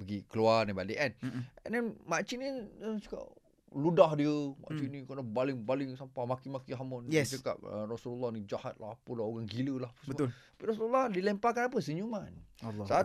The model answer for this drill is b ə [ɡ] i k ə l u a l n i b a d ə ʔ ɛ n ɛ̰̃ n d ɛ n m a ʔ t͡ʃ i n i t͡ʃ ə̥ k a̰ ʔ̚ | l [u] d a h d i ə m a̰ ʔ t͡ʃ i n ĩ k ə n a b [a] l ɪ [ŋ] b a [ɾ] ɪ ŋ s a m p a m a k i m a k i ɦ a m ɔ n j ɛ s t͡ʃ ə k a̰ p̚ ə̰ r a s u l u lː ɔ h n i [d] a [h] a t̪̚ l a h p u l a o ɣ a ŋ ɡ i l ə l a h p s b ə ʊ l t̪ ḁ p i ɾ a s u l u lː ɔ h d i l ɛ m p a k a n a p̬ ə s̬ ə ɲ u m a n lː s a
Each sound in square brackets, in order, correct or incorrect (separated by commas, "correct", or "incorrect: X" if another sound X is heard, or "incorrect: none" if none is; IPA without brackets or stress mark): correct, correct, correct, correct, incorrect: l, incorrect: d͡ʒ, correct